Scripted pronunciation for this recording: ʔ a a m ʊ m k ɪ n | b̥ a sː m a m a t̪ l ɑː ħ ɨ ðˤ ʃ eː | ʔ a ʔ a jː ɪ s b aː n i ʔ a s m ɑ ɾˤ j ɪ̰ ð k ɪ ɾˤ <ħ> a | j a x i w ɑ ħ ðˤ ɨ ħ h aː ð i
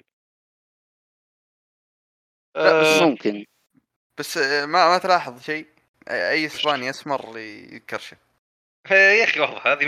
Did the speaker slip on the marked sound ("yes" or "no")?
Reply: yes